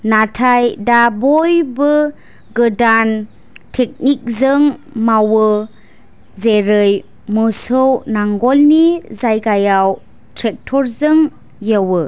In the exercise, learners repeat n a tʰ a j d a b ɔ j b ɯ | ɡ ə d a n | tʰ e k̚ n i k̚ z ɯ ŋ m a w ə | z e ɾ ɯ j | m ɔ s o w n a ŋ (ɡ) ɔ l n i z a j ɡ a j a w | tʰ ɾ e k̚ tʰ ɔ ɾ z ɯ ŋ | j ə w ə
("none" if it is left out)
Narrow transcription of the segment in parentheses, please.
ɡ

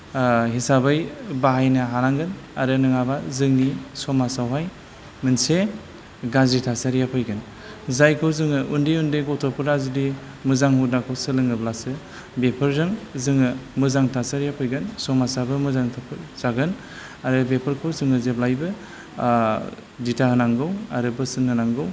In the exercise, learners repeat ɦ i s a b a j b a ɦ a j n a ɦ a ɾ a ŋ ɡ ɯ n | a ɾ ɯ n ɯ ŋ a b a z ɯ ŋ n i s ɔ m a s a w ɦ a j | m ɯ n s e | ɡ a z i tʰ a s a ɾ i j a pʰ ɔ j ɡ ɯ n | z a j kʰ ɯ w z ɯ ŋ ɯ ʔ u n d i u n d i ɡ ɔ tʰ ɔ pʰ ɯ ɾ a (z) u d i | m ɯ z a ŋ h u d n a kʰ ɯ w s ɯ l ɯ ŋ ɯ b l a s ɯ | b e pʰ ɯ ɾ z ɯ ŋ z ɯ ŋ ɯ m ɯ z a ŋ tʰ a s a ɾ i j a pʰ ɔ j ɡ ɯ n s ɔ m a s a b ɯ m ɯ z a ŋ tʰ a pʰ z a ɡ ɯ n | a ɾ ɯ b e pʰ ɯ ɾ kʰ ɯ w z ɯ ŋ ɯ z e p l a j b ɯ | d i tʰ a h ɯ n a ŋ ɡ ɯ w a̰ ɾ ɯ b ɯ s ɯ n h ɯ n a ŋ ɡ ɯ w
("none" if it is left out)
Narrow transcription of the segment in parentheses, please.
z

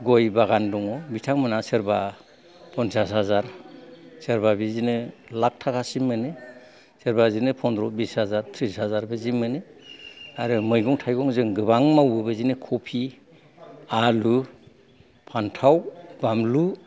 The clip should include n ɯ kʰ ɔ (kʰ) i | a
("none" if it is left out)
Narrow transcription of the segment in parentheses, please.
pʰ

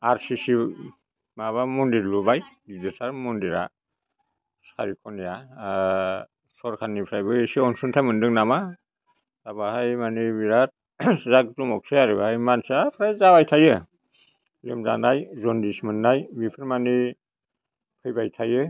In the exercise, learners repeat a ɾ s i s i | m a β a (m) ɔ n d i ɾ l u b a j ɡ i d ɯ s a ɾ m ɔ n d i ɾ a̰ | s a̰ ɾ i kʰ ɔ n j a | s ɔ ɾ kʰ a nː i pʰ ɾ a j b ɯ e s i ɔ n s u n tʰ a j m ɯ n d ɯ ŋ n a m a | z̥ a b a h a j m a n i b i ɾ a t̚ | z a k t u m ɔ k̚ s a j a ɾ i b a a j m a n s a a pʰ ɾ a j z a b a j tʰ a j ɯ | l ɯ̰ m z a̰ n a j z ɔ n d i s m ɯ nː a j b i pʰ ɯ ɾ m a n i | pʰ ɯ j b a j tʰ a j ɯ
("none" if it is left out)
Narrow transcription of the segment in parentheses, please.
m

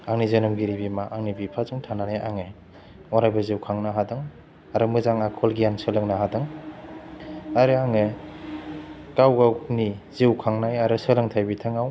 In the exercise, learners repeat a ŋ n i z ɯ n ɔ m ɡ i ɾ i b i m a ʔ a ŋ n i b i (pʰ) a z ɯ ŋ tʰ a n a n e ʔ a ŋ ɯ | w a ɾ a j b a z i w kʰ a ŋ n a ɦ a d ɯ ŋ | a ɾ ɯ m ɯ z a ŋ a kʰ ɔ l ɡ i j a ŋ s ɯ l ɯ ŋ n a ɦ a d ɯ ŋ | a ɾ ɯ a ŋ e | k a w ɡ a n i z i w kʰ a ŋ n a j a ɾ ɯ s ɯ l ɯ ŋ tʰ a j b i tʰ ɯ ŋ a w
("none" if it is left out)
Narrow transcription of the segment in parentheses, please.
pʰ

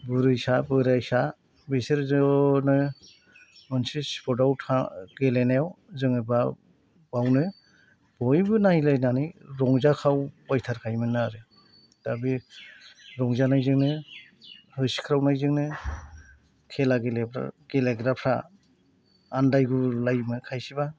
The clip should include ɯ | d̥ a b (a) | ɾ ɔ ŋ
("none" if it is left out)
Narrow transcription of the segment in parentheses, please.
i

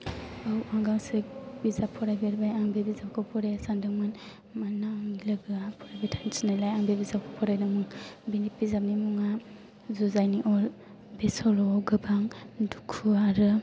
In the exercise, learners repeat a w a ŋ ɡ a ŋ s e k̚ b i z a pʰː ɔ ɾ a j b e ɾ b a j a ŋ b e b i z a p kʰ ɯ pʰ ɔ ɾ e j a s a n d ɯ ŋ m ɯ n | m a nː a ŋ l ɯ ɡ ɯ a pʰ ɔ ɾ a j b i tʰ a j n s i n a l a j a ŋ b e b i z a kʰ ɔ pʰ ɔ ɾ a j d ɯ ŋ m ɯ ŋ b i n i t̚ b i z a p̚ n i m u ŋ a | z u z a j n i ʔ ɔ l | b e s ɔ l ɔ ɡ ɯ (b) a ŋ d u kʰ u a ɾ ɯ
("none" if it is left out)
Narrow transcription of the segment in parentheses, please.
b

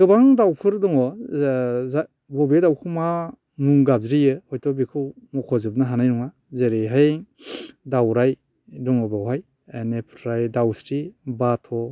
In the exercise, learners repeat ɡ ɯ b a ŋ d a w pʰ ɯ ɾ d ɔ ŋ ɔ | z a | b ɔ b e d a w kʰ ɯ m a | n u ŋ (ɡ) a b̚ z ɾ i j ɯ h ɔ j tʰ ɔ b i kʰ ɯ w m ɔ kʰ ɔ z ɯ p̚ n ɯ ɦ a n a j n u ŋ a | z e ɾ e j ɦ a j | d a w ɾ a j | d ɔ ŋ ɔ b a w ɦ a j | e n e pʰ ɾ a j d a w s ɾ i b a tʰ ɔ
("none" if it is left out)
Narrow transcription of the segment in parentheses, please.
ɡ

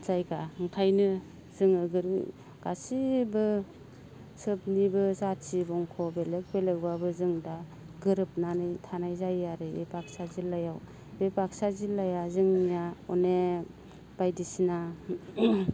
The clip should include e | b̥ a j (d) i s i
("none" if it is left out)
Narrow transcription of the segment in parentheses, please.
d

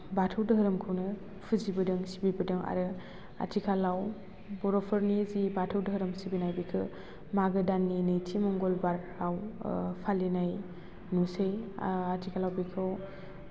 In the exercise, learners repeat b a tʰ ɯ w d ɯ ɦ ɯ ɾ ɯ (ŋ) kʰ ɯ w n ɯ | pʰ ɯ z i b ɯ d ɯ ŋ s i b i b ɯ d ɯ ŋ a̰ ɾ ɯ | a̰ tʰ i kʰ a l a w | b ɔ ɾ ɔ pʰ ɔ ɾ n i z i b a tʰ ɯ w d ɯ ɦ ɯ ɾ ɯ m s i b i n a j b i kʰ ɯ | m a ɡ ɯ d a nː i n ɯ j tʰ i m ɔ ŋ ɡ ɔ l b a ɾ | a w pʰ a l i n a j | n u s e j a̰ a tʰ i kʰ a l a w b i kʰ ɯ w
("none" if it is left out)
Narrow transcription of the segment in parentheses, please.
m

